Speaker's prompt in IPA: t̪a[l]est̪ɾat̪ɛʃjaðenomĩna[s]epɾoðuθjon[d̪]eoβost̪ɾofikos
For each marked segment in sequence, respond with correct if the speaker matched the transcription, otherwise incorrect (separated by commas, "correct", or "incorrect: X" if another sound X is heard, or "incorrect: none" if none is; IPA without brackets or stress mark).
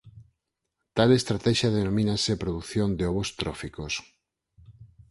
correct, correct, correct